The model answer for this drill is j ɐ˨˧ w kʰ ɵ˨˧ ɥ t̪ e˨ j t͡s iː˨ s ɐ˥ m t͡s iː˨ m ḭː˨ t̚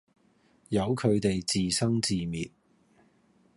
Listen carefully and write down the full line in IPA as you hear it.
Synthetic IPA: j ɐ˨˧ w kʰ ɵ˨˧ ɥ t̪ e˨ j t͡s iː˨ s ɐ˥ ŋ t͡s iː˨ m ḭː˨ t̚